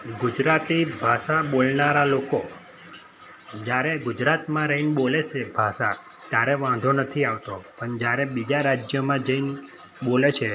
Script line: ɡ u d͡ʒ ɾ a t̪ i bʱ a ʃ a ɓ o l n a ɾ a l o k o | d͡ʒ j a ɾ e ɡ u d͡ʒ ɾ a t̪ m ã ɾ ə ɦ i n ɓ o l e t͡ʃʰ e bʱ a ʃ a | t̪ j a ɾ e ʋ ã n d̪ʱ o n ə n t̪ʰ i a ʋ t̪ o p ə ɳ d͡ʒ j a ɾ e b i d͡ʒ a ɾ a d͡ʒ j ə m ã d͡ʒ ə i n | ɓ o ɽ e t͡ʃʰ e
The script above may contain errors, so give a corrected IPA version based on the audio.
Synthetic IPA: ɡ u d͡ʒ ɾ a t̪ i bʱ a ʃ a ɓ o l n a ɾ a l o k o | d͡ʒ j a ɾ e ɡ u d͡ʒ ɾ a t̪ m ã ɾ ə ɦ i n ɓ o l e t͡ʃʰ e bʱ a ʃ a | t̪ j a ɾ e ʋ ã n d̪ʱ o n ə t̪ʰ i a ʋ t̪ o p ə ɳ d͡ʒ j a ɾ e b i d͡ʒ a ɾ a d͡ʒ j ə m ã d͡ʒ ə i n | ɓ o l e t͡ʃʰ e